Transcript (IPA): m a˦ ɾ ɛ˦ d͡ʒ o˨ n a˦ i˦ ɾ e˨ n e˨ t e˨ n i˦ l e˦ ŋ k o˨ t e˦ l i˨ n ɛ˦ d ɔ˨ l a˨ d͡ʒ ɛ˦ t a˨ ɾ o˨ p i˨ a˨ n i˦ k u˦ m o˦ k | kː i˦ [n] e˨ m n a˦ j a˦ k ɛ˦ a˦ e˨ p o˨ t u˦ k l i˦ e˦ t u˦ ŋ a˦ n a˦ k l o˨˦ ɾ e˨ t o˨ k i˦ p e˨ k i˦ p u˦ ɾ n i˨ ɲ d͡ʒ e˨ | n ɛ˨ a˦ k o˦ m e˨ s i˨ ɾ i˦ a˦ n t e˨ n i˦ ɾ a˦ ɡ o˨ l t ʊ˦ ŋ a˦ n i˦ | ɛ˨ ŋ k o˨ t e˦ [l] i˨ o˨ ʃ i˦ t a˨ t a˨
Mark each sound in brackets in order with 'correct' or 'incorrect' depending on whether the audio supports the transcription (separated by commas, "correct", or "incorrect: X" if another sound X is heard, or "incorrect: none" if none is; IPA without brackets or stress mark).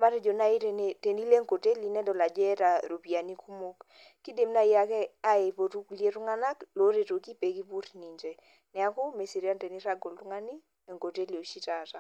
incorrect: d, correct